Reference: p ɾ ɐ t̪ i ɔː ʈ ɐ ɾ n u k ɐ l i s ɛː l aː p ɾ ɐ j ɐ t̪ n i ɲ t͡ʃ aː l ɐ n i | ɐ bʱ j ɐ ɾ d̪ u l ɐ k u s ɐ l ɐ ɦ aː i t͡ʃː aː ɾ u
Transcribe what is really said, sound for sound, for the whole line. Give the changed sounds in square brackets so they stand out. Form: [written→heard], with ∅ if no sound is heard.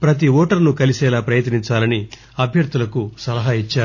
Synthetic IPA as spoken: p ɾ ɐ t̪ i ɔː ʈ ɐ ɾ n u k ɐ l i s ɛː l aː p ɾ ɐ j ɐ t̪ n i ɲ t͡ʃ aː l ɐ n i | ɐ bʱ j ɐ ɾ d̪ u l ɐ k u s ɐ l ɐ ɦ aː i t͡ʃː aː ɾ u